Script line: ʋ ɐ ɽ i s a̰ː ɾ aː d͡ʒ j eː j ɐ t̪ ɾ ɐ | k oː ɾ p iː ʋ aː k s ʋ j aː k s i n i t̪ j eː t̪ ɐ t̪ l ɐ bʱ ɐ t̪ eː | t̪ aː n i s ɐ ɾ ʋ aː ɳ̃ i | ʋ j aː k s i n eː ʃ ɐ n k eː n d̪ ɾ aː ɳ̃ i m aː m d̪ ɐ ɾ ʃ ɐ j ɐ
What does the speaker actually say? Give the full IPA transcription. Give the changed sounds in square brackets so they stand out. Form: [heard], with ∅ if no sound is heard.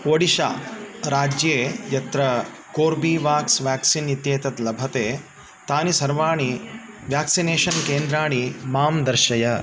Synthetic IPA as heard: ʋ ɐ ɽ i [ʃ] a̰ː ɾ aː d͡ʒ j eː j ɐ t̪ ɾ ɐ | k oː ɾ [b] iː ʋ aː k s ʋ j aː k s i n i t̪ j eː t̪ ɐ t̪ l ɐ bʱ ɐ t̪ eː | t̪ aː n i s ɐ ɾ ʋ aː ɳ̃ i | ʋ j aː k s i n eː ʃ ɐ n k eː n d̪ ɾ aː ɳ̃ i m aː m d̪ ɐ ɾ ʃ ɐ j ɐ

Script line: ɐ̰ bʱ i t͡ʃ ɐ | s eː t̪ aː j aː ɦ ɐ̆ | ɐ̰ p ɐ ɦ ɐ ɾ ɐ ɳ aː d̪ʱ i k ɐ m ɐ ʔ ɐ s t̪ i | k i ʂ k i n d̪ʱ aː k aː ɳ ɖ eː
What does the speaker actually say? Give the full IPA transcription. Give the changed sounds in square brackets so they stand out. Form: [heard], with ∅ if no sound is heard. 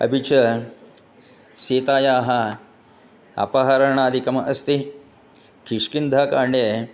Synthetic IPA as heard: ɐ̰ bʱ i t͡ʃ ɐ | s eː t̪ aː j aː ɦ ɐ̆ | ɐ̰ p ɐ ɦ ɐ ɾ ɐ ɳ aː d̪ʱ i k ɐ m ɐ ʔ ɐ s t̪ i | k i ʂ k i n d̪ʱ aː k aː ɳ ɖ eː

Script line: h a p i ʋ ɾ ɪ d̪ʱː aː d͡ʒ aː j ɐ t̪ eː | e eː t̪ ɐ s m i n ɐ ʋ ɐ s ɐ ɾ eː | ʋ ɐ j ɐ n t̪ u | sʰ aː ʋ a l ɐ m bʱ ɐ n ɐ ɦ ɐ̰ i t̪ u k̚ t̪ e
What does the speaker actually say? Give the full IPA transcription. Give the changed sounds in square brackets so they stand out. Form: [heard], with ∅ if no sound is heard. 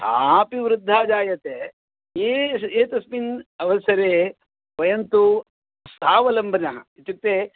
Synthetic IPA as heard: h a p i ʋ ɾ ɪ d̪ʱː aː d͡ʒ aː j ɐ t̪ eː | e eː t̪ ɐ s m i n ɐ ʋ ɐ s ɐ ɾ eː | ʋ ɐ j ɐ n t̪ u | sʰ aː ʋ [ɐ] l ɐ m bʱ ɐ n ɐ ɦ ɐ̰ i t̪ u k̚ t̪ e

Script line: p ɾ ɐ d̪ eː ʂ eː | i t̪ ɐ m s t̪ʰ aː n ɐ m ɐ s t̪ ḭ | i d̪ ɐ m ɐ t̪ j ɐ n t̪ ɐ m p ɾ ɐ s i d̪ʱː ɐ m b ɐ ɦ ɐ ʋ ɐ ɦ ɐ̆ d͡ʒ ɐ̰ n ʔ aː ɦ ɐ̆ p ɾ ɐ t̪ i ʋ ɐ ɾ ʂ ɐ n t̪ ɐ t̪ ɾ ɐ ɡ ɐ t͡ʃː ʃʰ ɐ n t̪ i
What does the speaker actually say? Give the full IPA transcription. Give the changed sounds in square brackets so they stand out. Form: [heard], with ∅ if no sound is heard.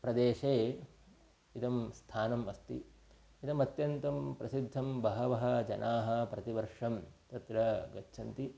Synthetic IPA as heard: p ɾ ɐ d̪ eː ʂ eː | i t̪ ɐ m s t̪ʰ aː n ɐ m ɐ s t̪ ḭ | i [t̪] ɐ m ɐ t̪ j ɐ n t̪ ɐ m p ɾ ɐ s i d̪ʱː ɐ m b ɐ ɦ ɐ ʋ ɐ ɦ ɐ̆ d͡ʒ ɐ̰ n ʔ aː ɦ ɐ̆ p ɾ ɐ t̪ i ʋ ɐ ɾ ʂ ɐ [m] t̪ ɐ t̪ ɾ ɐ ɡ ɐ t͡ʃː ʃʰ ɐ n t̪ i

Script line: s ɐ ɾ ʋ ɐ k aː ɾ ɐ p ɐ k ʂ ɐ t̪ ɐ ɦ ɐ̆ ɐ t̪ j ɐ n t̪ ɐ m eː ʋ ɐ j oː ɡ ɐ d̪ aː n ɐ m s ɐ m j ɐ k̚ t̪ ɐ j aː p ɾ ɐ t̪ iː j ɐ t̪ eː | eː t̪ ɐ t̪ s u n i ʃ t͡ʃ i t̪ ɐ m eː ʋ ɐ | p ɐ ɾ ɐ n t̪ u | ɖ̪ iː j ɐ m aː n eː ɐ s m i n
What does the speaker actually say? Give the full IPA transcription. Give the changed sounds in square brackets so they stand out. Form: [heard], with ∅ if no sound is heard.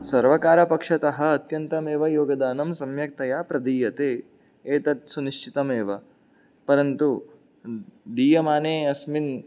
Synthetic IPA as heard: s ɐ ɾ ʋ ɐ k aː ɾ ɐ p ɐ k ʂ ɐ t̪ ɐ ɦ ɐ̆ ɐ t̪ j ɐ n t̪ ɐ m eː ʋ ɐ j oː ɡ ɐ d̪ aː n ɐ m s ɐ m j ɐ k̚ t̪ ɐ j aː p ɾ ɐ [d̪] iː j ɐ t̪ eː | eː t̪ ɐ t̪ s u n i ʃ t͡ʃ i t̪ ɐ m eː ʋ ɐ | p ɐ ɾ ɐ n t̪ u | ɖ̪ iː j ɐ m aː n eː ɐ s m i n

